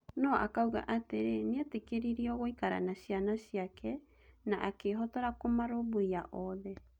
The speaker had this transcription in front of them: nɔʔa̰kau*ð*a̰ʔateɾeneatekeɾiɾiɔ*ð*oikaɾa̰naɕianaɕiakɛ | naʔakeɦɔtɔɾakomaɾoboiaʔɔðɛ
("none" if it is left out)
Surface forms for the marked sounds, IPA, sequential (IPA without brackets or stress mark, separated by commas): ɣ, ɣ